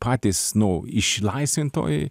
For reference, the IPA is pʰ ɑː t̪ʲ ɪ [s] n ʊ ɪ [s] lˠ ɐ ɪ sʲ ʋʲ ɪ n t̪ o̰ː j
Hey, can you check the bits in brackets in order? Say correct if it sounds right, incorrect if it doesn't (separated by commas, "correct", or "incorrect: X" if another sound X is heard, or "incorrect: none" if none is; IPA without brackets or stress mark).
correct, incorrect: ʃ